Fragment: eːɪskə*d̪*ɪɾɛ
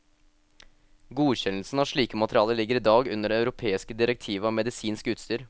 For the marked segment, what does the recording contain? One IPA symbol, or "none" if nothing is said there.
d̪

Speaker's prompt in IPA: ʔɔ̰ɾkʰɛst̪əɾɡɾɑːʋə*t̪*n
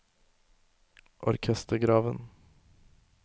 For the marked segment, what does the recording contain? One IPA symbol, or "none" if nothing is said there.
none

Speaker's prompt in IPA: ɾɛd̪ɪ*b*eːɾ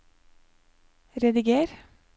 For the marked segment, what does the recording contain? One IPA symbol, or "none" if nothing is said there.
ɡ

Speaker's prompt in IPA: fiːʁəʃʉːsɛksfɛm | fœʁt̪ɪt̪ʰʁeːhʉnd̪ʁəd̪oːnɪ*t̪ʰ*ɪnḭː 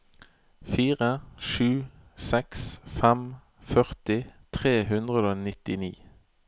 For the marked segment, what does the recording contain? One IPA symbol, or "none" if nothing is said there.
t̪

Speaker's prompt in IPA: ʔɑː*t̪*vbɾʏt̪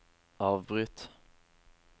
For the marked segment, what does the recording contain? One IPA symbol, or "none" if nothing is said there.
none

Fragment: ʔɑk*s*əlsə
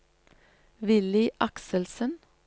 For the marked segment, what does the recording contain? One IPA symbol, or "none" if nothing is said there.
s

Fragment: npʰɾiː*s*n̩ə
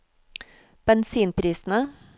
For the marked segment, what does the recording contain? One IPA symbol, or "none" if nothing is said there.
s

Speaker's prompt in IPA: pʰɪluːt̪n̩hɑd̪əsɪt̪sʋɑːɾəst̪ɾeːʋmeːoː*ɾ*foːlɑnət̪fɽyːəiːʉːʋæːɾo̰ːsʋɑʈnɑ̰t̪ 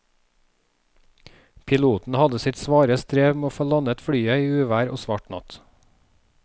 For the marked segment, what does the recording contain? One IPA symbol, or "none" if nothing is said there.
none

